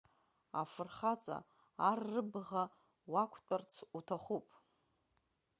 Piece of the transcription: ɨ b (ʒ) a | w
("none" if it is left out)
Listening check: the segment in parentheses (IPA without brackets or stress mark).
ʁ